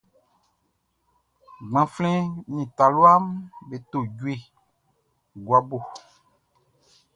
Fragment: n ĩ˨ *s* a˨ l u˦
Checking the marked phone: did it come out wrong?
yes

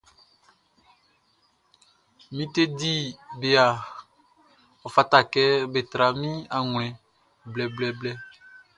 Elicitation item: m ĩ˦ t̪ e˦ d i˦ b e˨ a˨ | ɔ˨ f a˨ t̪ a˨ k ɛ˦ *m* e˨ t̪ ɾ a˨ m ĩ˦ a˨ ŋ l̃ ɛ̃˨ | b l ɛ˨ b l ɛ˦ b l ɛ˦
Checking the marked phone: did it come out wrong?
yes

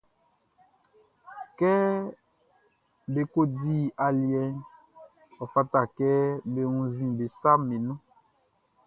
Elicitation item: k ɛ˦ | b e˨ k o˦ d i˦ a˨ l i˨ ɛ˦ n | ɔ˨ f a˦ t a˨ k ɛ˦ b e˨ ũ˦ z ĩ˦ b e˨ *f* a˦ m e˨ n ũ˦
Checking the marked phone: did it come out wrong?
yes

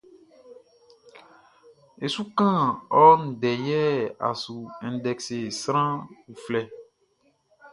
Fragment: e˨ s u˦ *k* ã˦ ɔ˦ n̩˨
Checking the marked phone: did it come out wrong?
no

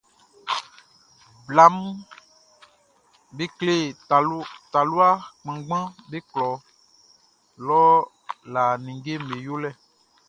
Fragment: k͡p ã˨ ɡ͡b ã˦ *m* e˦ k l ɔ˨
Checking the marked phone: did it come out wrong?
yes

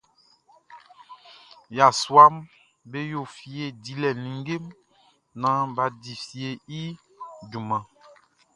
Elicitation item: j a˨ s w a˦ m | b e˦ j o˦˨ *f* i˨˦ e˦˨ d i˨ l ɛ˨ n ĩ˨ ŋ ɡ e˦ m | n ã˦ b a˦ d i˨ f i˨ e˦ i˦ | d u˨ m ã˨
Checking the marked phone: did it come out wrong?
no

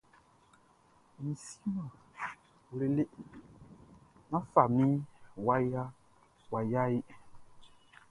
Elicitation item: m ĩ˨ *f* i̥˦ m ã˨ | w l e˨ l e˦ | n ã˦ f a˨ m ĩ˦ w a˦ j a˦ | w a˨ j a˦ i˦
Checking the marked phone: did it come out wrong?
yes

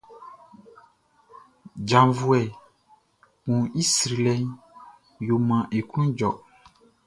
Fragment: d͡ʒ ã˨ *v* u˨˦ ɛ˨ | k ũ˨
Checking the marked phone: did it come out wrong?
no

